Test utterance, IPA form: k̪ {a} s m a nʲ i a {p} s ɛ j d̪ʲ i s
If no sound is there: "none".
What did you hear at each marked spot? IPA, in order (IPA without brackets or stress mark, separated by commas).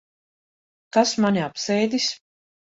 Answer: a, p